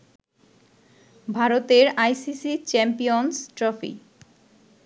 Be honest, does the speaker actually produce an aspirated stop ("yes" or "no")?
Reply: no